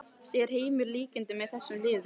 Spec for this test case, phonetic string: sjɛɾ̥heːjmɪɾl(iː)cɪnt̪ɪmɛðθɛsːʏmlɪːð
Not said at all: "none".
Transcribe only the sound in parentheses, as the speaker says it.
iː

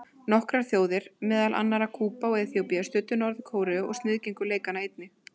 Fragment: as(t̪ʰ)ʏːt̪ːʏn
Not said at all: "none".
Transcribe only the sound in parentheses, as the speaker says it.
t̪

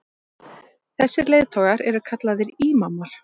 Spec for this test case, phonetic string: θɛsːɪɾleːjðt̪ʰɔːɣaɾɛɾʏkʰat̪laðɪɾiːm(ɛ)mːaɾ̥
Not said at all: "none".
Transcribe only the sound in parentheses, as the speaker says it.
a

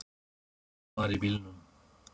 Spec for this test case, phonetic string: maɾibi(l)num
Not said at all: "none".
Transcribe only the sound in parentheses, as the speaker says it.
l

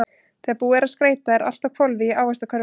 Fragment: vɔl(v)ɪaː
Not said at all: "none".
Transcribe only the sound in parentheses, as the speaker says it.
v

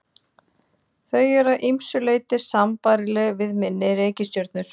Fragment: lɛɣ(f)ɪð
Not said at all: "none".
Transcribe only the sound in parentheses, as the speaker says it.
v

